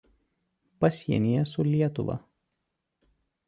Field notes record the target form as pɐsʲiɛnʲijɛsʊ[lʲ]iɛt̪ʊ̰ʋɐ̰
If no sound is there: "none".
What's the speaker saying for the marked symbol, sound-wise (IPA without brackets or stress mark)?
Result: lʲ